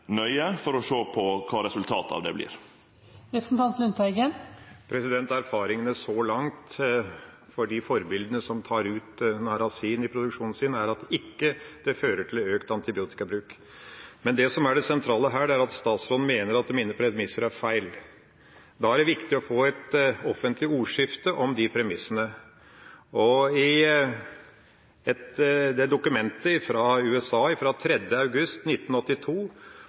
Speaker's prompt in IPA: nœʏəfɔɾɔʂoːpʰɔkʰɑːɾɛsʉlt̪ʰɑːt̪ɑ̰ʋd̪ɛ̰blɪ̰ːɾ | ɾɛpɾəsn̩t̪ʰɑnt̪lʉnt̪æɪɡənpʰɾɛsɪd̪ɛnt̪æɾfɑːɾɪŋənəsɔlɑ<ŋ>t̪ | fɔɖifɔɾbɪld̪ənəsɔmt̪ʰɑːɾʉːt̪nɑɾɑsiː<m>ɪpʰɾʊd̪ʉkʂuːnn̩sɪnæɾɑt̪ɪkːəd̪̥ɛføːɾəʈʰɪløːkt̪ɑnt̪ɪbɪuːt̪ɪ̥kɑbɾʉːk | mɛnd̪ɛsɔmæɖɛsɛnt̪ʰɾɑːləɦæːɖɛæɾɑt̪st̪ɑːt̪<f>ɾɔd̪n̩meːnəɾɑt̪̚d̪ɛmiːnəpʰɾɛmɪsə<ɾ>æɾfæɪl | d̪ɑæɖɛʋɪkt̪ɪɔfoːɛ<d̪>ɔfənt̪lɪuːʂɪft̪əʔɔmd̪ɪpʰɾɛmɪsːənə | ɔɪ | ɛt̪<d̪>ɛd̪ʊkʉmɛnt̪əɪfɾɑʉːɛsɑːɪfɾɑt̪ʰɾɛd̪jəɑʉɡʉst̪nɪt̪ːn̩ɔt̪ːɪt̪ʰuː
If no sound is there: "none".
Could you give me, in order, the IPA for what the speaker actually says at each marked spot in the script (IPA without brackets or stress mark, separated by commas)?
ŋ, n, s, ɾ, t̪, d̪